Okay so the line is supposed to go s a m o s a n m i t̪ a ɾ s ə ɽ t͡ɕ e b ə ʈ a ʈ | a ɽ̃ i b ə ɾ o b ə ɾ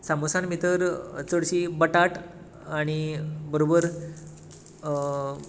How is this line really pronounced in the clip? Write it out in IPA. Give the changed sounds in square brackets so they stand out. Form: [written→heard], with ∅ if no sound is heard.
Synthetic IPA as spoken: s a m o s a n m i t̪ [a→ə] ɾ [s→t͡s] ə ɽ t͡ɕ [e→i] b ə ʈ a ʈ | a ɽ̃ i b ə ɾ o b ə ɾ

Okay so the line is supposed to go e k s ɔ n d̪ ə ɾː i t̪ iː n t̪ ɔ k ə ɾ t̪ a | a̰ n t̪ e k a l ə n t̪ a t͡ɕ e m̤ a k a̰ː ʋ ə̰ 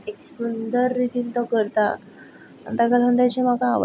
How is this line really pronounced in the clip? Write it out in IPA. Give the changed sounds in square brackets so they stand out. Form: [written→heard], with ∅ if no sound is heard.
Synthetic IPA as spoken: e k s [ɔ→u] n d̪ ə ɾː i t̪ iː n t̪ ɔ k ə ɾ t̪ a | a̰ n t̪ [e→a] k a l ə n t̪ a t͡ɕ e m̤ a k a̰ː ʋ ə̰

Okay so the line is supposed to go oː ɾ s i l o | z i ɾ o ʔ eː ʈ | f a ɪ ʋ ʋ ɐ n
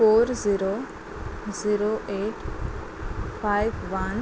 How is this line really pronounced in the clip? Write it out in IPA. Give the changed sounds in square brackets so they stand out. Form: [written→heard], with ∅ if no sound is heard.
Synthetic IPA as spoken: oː ɾ [s→z] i [l→ɾ] o | z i ɾ o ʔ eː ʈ | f a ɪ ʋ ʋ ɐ n

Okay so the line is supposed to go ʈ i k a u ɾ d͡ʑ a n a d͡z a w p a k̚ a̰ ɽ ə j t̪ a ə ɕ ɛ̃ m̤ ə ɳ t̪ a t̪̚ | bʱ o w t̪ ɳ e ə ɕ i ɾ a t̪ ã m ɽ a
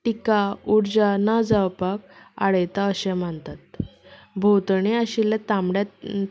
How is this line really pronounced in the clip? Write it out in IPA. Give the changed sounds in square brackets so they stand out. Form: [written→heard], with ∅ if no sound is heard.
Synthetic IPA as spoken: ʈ i k a u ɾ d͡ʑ a n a d͡z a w p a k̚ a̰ ɽ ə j t̪ a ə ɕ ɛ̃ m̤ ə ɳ t̪ a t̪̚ | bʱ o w t̪ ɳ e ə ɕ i [ɾ→l] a t̪ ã m ɽ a

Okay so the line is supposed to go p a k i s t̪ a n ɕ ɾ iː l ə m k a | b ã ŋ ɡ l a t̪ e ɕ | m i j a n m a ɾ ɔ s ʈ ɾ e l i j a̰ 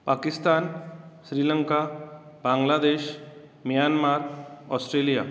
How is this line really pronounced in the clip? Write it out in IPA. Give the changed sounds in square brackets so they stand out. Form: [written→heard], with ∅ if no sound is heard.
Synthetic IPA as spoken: p a k i s t̪ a n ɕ ɾ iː l ə [m→ŋ] k a | b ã ŋ ɡ l a [t̪→d̪] e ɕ | m i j a n m a ɾ ɔ s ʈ ɾ e l i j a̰

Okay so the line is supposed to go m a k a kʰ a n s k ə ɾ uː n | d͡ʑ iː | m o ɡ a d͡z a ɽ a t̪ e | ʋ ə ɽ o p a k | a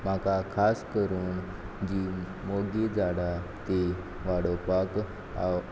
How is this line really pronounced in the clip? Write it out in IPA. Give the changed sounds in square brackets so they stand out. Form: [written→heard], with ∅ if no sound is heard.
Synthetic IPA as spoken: m a k a kʰ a [n→∅] s k ə ɾ uː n | d͡ʑ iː | m o ɡ [a→i] d͡z a ɽ a t̪ e | ʋ [ə→a] ɽ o p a k | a

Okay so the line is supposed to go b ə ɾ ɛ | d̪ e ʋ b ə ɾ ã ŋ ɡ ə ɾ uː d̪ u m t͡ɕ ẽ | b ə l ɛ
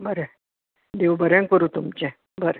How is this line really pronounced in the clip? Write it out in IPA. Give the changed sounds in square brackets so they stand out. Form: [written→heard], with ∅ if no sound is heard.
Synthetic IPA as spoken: b ə ɾ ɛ | d̪ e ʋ b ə ɾ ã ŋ [ɡ→k] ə ɾ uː [d̪→t̪] u m t͡ɕ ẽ | b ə [l→ɾ] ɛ

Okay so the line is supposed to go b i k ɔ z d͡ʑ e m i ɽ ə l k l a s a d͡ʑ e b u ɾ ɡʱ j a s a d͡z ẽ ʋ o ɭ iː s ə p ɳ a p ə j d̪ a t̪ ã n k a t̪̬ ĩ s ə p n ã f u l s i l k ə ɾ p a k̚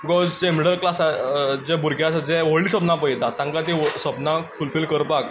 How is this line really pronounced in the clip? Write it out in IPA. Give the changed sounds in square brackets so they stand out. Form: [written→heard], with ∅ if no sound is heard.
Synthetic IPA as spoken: b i k ɔ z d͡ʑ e m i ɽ ə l k l a s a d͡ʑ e b u ɾ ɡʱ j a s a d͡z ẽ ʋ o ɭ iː s ə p [ɳ→n] a p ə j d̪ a t̪ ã [n→ŋ] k a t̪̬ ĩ s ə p n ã f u l [s→f] i l k ə ɾ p a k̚

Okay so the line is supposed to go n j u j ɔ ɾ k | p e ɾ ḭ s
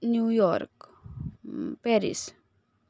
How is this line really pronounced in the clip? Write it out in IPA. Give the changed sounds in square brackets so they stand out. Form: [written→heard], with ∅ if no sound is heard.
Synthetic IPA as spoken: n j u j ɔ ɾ k | p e ɾ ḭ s

